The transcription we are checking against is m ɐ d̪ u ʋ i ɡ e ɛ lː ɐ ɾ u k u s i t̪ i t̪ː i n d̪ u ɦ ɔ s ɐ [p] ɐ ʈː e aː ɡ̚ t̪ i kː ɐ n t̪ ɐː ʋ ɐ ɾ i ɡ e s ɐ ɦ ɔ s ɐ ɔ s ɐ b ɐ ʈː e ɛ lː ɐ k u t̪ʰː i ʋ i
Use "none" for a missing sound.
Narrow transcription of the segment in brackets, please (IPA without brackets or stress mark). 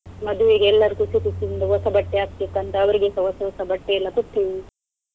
b